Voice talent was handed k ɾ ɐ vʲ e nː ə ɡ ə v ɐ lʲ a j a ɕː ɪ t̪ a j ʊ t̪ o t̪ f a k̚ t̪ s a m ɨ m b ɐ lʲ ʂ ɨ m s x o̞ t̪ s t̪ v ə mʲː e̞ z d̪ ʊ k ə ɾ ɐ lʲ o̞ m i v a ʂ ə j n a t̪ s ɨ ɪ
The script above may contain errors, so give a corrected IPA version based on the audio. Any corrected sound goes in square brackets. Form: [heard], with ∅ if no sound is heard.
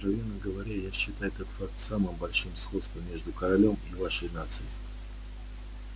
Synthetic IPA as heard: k ɾ ɐ vʲ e nː ə ɡ ə v ɐ [ɾʲ] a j a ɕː ɪ t̪ a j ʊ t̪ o t̪ f a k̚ t̪ s a m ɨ m b ɐ lʲ ʂ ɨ m s x o̞ t̪ s t̪ v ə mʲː e̞ [ʐ] d̪ ʊ k ə ɾ ɐ lʲ o̞ m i v a ʂ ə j n a t̪ s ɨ ɪ